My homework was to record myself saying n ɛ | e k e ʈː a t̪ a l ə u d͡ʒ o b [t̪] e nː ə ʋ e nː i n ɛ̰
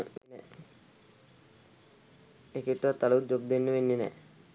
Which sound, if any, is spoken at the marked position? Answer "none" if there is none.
d̪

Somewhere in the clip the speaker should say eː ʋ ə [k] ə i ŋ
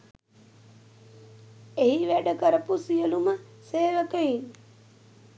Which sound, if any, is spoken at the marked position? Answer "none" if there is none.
k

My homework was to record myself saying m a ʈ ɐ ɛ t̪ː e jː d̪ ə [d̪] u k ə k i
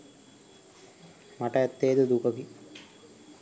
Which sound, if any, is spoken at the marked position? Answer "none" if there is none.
d̪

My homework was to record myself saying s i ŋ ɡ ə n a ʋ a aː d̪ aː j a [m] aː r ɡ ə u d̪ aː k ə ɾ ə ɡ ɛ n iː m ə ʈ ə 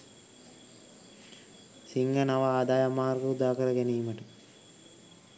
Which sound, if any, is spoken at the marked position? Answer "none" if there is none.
m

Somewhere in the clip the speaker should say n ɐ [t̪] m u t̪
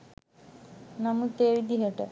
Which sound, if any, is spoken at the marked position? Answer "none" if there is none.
none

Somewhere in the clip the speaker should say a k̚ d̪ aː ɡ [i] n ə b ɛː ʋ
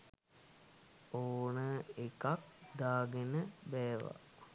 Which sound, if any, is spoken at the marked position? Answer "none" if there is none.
e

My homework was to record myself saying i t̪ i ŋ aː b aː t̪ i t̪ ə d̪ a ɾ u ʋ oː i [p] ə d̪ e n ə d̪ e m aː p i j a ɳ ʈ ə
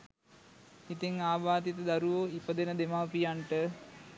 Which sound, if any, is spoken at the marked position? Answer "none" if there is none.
p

